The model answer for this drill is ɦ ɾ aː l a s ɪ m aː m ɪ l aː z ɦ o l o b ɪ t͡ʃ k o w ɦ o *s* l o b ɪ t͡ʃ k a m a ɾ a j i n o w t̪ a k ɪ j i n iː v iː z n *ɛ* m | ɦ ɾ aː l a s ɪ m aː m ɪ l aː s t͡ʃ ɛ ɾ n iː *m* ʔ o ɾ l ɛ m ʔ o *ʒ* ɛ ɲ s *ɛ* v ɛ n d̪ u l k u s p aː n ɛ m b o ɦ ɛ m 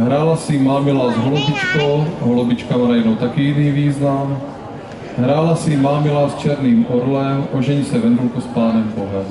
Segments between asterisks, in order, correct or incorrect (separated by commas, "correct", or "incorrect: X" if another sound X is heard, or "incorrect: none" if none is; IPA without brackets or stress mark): incorrect: none, incorrect: a, correct, correct, correct